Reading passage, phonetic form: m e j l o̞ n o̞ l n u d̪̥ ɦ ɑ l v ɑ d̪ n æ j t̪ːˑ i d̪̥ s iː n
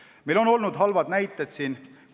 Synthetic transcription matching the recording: m e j l o̞ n o̞ l n u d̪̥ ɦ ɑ l v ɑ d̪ n æ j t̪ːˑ e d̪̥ s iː n